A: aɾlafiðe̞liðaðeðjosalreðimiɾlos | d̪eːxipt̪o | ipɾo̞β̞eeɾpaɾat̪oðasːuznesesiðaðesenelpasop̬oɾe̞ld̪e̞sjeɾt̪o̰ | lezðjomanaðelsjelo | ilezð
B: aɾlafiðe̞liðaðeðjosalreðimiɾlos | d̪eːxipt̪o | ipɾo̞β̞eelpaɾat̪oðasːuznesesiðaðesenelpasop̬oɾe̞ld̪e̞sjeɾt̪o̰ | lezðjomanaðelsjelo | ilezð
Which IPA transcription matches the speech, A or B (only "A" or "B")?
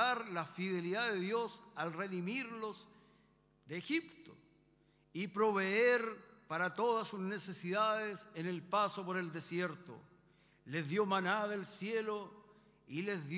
A